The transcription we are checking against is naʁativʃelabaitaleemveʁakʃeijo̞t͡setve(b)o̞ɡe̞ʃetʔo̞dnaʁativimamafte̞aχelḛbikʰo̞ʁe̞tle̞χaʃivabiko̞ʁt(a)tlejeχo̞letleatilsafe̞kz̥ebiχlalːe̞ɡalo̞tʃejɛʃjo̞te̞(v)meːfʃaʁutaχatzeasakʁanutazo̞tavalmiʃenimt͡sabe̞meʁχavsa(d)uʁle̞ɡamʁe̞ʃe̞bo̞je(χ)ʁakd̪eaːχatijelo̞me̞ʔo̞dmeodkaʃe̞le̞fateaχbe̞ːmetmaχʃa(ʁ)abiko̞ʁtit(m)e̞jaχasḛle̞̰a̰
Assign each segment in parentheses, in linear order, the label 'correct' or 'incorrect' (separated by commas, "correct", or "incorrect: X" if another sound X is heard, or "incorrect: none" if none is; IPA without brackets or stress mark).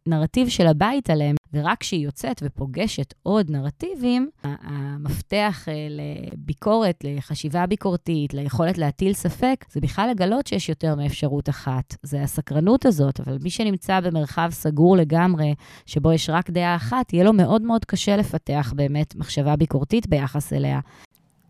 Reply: incorrect: p, incorrect: i, incorrect: ʁ, incorrect: ɡ, incorrect: ʃ, incorrect: v, incorrect: b